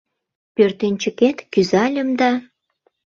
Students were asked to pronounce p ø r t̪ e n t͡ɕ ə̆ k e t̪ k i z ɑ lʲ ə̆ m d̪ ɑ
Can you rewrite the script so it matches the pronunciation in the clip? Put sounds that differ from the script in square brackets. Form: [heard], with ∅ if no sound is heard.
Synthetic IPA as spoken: p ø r t̪ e n t͡ɕ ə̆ k e t̪ k [y] z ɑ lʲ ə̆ m d̪ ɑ